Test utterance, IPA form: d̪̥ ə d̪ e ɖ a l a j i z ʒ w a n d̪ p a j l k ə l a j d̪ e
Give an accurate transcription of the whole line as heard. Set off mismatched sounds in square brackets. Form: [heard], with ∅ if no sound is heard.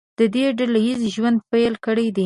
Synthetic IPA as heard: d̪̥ ə d̪ e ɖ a l a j i z ʒ w a n d̪ p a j l k ə [ɽ] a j d̪ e

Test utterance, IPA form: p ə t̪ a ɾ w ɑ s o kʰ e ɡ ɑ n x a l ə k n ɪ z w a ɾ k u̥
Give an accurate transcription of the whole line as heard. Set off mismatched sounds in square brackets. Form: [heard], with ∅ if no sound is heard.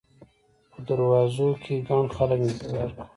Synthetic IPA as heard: p ə [d̪] a ɾ w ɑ [z] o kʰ e ɡ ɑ n x a l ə k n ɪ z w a ɾ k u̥

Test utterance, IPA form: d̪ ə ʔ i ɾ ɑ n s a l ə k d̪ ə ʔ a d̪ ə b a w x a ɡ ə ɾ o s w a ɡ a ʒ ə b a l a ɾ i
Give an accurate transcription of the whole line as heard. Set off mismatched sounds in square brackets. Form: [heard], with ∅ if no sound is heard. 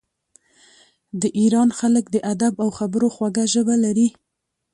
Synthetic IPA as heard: d̪ ə ʔ i ɾ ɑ n [x] a l ə k d̪ ə ʔ a d̪ [a] b a w x a [b] ə ɾ o [x] w a ɡ a ʒ ə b a l a ɾ i

